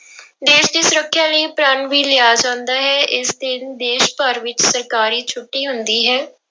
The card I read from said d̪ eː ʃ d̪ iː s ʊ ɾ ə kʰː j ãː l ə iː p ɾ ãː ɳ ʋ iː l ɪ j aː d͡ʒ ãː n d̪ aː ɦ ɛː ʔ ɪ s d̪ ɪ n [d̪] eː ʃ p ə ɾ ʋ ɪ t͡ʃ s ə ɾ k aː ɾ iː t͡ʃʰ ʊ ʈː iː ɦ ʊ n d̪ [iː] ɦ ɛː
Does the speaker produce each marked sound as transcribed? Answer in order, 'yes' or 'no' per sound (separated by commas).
yes, yes